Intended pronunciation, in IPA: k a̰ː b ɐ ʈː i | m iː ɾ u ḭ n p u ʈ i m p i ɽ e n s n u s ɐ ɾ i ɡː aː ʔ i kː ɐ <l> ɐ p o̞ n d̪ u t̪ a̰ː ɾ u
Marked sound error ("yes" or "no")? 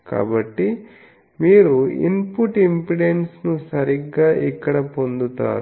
yes